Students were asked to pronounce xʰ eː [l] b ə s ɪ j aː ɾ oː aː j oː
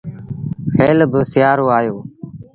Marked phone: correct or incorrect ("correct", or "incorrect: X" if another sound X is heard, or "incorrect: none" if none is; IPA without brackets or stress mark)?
correct